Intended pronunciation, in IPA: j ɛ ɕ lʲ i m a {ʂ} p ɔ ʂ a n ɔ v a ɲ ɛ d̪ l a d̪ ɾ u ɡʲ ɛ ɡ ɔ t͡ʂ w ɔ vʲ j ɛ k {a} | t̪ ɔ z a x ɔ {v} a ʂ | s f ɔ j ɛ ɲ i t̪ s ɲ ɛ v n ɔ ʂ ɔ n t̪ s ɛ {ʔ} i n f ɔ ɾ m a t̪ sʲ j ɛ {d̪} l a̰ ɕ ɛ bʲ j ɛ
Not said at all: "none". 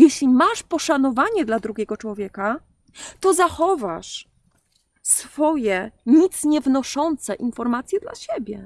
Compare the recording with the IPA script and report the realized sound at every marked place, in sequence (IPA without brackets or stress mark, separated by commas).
ʂ, a, v, ʔ, d̪